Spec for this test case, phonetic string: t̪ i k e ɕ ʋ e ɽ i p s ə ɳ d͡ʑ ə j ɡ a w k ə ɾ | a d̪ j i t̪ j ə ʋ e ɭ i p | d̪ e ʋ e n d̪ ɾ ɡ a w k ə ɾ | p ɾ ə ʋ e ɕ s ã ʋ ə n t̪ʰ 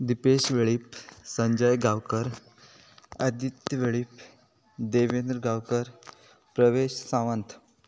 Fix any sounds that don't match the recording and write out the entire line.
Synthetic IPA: d̪ i p e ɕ ʋ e ɭ i p s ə ɲ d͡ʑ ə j ɡ a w k ə ɾ | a d̪ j i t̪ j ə ʋ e ɭ i p | d̪ e ʋ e n d̪ ɾ ɡ a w k ə ɾ | p ɾ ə ʋ e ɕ s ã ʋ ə n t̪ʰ

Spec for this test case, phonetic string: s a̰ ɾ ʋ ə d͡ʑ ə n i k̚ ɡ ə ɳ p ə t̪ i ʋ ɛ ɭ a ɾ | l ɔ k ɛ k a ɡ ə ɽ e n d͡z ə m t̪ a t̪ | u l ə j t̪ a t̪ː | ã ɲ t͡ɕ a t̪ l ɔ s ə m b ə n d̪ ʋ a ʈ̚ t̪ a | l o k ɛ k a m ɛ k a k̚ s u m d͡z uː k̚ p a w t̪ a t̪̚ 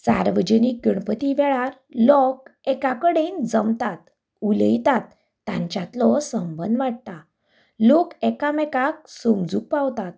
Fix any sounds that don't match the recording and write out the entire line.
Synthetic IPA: s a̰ ɾ ʋ ə d͡ʑ ə n i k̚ ɡ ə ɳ p ə t̪ i ʋ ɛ ɭ a ɾ | l ɔ k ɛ k a k ə ɽ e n d͡z ə m t̪ a t̪ | u l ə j t̪ a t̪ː | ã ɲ t͡ɕ a t̪ l ɔ s ə m b ə n d̪ ʋ a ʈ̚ t̪ a | l o k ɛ k a m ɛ k a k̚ s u m d͡z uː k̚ p a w t̪ a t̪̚

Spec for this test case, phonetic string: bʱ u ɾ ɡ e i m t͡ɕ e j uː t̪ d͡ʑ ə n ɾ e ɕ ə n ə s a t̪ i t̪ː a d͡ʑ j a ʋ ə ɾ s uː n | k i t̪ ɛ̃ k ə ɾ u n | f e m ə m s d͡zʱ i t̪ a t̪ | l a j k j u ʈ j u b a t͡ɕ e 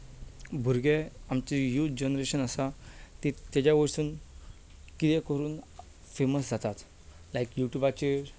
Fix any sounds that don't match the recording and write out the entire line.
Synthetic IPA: bʱ u ɾ ɡ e a m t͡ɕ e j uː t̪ d͡ʑ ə n ɾ e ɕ ə n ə s a t̪ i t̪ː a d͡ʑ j a ʋ ə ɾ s uː n | k i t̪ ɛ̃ k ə ɾ uː n | f e m ə s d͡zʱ a t̪ a t̪ | l a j k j u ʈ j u b a t͡ɕ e

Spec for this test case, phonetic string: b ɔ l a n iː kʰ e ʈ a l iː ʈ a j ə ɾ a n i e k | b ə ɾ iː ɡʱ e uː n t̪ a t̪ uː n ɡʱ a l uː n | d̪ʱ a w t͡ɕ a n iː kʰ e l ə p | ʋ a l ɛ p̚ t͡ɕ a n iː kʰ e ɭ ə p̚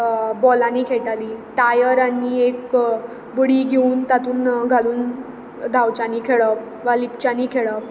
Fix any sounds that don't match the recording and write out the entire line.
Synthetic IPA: b ɔ l a n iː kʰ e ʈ a l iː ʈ a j ə ɾ a n i e k | b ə ɽ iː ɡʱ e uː n t̪ a t̪ uː n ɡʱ a l uː n | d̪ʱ a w t͡ɕ a n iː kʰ e ɭ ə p | ʋ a l i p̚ t͡ɕ a n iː kʰ e ɭ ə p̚

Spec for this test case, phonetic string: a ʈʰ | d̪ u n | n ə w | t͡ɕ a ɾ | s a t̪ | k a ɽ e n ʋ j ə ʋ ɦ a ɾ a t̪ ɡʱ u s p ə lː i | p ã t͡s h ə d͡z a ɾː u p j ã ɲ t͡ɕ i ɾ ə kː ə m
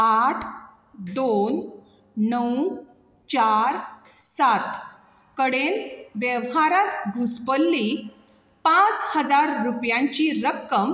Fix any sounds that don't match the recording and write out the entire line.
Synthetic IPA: a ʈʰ | d̪ o n | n ə w | t͡ɕ a ɾ | s a t̪ | k ə ɽ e n ʋ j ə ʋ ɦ a ɾ a t̪ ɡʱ u s p ə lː i | p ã t͡s h ə d͡z a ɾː u p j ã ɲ t͡ɕ i ɾ ə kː ə m

